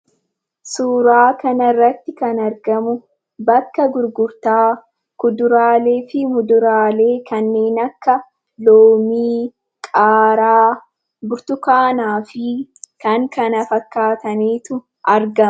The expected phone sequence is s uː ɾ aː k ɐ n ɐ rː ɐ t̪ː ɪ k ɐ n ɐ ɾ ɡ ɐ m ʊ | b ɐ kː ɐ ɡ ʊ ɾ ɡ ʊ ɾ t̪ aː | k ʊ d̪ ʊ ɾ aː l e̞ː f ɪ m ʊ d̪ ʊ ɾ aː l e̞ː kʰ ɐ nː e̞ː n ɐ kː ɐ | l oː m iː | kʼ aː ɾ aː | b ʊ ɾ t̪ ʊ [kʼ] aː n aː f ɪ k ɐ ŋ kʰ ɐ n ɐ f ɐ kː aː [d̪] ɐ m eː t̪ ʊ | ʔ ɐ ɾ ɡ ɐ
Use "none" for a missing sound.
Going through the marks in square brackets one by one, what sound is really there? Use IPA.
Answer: k, t̪

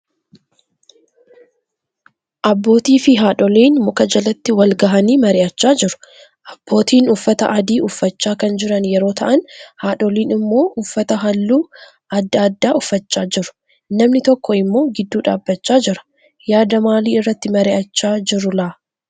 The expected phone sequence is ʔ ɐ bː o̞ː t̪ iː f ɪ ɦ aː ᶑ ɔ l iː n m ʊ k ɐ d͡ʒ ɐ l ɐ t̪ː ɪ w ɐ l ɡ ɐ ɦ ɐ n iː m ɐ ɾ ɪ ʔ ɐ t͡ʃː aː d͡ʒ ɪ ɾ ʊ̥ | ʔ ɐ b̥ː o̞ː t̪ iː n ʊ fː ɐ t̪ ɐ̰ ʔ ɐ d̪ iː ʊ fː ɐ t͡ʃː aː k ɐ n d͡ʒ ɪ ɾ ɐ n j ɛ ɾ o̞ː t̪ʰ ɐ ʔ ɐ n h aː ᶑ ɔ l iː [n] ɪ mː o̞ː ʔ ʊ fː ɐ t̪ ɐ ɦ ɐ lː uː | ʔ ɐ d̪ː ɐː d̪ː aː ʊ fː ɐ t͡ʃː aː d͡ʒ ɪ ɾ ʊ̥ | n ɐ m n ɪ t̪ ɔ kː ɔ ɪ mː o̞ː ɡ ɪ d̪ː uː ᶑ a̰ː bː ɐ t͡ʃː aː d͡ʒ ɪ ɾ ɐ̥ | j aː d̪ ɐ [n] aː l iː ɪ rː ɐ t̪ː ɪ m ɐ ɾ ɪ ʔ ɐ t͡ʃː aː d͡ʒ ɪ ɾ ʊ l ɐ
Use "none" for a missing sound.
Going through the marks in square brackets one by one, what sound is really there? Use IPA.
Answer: n, m

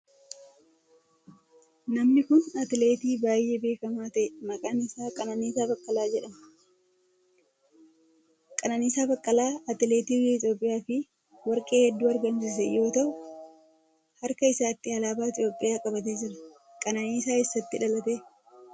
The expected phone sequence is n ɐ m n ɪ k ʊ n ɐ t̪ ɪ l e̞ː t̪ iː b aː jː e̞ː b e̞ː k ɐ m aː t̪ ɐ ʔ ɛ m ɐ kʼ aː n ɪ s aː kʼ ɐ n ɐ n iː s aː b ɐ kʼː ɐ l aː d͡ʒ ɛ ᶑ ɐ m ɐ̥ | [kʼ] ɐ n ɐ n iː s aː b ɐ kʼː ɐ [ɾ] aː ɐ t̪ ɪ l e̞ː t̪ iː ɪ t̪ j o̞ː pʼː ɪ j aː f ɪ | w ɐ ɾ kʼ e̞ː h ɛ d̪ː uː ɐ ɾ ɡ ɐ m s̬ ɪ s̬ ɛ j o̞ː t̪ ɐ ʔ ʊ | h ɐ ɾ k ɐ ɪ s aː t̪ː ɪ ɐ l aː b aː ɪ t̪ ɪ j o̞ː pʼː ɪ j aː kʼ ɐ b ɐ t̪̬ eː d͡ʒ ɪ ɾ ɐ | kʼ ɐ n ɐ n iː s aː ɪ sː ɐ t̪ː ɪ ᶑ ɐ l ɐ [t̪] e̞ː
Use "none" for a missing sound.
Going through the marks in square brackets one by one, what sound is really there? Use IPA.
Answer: kʼ, l, t̪

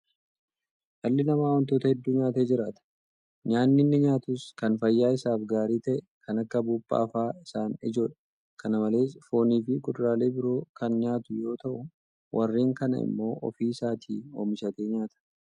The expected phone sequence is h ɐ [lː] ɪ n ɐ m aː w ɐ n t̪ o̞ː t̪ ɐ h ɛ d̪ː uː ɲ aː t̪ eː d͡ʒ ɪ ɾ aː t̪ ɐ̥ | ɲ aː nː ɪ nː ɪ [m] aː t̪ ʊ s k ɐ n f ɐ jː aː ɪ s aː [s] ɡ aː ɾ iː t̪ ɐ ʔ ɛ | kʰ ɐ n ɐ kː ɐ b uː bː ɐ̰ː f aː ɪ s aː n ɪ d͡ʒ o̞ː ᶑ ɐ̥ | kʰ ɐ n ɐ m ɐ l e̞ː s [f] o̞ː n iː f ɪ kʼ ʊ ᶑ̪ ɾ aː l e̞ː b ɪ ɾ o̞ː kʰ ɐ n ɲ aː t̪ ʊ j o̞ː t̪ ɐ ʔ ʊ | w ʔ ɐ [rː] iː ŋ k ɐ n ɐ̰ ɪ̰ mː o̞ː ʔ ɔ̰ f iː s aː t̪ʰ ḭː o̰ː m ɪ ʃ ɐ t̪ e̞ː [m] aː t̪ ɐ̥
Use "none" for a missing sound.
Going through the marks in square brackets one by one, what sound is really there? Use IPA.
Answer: lː, ɲ, f, f, rː, ɲ

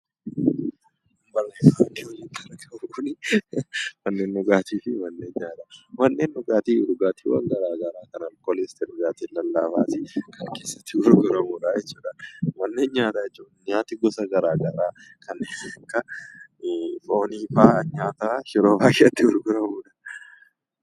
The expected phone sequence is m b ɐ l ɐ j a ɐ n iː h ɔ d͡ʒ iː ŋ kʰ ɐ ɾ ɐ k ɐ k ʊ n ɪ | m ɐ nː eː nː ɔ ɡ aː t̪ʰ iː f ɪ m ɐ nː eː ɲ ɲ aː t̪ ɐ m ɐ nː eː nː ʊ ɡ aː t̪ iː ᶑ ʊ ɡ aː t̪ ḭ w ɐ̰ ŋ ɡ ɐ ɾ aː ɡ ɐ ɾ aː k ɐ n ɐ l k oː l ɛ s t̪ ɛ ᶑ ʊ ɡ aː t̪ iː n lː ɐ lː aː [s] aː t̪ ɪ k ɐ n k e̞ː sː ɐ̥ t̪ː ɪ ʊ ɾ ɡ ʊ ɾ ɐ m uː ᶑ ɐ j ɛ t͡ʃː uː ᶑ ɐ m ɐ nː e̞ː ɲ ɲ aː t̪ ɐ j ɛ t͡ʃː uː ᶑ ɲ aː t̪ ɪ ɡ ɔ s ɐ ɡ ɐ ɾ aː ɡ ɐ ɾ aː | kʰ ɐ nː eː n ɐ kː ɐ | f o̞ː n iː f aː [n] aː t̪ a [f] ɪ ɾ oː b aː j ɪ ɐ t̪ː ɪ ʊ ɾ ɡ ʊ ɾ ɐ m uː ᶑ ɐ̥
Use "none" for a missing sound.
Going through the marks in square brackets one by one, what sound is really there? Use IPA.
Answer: f, ɲ, ʃ

